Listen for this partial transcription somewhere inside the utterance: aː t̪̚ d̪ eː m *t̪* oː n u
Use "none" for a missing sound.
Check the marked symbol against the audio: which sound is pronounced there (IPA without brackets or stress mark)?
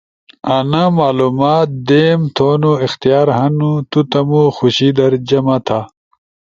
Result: t̪ʰ